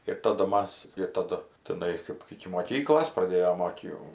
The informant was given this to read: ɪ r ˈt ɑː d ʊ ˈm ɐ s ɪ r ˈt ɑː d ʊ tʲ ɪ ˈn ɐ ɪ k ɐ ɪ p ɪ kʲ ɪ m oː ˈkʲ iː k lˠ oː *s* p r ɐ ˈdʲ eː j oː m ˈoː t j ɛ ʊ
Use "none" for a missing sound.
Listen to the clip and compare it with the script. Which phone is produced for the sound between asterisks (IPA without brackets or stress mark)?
s